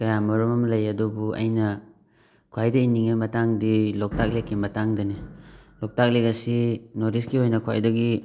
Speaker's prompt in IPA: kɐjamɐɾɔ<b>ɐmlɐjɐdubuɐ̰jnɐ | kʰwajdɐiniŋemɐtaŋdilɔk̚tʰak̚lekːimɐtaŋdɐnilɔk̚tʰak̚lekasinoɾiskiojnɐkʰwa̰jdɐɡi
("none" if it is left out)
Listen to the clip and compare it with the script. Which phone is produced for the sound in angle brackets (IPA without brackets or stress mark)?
m